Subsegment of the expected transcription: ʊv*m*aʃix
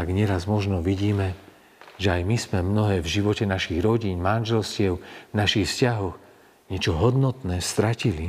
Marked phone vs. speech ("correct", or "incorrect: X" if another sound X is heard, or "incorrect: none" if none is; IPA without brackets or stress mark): incorrect: n